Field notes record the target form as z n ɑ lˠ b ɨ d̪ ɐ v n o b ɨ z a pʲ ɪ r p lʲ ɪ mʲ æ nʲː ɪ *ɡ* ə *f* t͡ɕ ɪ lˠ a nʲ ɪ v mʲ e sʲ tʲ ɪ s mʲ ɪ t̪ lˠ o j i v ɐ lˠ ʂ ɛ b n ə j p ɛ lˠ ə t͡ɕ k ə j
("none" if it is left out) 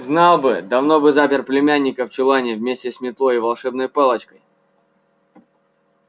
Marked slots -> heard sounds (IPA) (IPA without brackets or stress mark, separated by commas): k, f